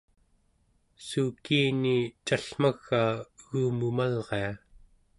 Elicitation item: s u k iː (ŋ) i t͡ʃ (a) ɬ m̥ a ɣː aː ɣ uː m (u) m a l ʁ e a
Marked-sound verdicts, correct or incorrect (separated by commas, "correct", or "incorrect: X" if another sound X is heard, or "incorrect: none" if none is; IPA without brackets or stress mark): incorrect: n, correct, correct